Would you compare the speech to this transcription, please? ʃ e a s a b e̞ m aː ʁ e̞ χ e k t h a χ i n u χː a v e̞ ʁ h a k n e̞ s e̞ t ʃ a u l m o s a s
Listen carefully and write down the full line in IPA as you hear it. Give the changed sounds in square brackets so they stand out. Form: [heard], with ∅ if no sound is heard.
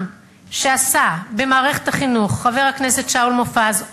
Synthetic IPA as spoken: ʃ e a s a b e̞ m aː ʁ e̞ χ e [∅] t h a χ i n u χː a v e̞ ʁ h a k n e̞ s e̞ t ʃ a u l m o [f] a [z]